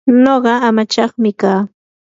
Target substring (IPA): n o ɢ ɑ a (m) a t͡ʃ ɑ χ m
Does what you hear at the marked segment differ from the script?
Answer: no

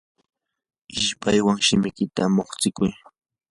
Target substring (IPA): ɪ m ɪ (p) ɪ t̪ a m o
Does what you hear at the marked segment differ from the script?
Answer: yes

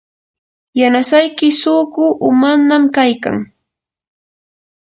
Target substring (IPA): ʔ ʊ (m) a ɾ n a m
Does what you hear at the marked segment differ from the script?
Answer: no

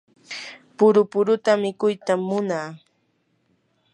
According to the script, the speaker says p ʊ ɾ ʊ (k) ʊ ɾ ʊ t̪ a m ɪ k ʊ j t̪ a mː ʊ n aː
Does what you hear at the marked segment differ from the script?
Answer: yes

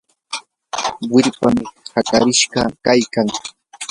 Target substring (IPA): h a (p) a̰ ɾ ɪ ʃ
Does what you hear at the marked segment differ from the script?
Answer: yes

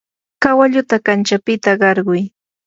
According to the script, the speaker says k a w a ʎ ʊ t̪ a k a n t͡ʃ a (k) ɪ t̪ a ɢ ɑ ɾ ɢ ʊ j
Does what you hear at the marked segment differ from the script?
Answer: yes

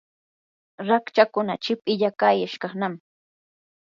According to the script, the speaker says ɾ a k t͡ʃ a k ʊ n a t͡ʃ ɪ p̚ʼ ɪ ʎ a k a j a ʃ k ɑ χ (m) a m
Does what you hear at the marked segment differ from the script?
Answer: yes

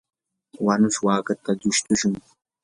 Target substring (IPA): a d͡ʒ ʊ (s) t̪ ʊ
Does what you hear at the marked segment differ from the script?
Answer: yes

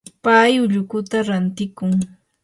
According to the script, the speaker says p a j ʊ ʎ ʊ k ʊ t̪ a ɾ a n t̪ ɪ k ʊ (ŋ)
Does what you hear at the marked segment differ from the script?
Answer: no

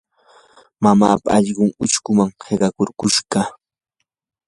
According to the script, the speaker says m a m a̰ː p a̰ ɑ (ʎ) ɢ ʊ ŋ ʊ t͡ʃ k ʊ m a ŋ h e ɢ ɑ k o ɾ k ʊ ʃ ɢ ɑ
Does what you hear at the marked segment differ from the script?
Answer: no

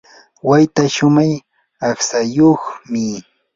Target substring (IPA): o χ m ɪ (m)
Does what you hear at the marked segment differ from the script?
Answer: yes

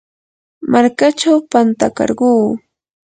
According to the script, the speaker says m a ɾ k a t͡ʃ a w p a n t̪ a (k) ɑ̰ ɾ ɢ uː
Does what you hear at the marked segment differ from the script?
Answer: no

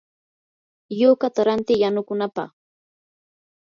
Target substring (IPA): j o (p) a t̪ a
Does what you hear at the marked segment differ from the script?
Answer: yes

